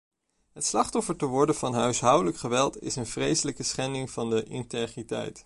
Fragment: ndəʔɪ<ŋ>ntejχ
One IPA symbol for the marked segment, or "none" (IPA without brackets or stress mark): none